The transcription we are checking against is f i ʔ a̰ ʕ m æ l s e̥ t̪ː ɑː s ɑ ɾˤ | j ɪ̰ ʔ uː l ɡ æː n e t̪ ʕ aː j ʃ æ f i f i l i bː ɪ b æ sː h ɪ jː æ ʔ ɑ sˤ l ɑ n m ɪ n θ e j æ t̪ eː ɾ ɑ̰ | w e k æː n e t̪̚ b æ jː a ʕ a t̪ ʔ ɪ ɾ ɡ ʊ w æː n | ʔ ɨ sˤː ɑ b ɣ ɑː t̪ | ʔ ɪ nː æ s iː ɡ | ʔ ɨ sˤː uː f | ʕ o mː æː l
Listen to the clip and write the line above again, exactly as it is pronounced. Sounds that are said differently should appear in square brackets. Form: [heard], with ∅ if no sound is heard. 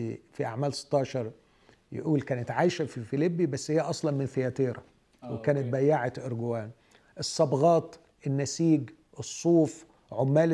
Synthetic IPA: f i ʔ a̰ ʕ m [æː] l s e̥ t̪ː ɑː [ʃ] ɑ ɾˤ | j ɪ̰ ʔ uː l [k] æː n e t̪ ʕ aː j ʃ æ f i f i l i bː [i] b æ sː h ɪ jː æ ʔ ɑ sˤ l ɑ n m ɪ n θ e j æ t̪ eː ɾ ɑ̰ | w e k æː n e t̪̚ b æ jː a ʕ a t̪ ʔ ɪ ɾ ɡ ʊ w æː n | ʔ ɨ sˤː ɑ b ɣ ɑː t̪ | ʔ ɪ nː æ s iː ɡ | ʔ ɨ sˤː uː f | ʕ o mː æː l